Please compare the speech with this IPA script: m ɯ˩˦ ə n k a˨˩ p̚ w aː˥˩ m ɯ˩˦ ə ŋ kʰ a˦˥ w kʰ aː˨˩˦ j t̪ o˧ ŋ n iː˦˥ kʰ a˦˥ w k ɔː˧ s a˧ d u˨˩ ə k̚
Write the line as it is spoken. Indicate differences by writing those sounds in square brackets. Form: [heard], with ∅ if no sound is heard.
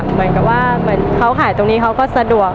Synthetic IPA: m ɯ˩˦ ə n k a˨˩ p̚ w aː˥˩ m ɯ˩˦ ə [n] kʰ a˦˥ w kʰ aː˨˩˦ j t̪ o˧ ŋ n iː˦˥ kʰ a˦˥ w k [ɔː˥˩] s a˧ d u˨˩ ə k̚